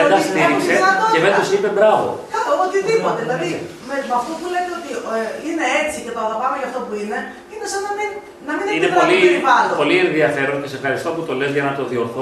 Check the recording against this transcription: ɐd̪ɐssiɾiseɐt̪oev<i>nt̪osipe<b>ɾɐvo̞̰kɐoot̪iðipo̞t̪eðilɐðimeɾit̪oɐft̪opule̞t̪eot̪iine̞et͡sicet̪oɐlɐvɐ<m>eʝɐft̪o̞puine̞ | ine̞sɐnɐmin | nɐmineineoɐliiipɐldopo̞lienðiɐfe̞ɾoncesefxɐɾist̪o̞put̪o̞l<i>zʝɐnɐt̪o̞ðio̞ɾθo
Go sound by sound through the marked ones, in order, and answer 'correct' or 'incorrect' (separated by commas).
incorrect, correct, correct, incorrect